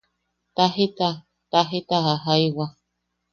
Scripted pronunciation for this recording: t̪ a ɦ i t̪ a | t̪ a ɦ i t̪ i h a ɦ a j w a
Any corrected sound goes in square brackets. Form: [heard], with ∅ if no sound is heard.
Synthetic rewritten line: t̪ a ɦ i t̪ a | t̪ a ɦ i t̪ [a] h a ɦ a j w a